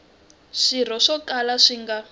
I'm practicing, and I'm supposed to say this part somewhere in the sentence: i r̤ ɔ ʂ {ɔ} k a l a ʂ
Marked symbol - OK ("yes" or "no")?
yes